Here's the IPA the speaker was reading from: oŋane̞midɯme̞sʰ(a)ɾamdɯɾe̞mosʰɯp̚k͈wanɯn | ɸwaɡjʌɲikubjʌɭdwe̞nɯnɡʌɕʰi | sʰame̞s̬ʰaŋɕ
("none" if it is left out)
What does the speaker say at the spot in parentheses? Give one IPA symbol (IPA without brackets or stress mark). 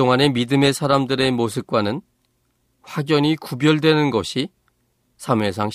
a